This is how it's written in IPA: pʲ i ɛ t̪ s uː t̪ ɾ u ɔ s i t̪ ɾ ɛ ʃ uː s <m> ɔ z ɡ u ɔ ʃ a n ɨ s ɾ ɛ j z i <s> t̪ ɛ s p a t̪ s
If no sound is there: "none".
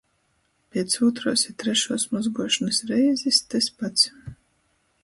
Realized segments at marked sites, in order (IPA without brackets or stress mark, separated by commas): m, s